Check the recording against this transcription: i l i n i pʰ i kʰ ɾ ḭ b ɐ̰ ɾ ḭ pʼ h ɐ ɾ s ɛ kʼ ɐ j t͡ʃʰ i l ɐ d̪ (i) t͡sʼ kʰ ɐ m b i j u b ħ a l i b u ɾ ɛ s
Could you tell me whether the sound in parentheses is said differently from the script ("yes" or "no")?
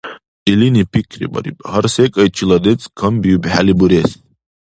yes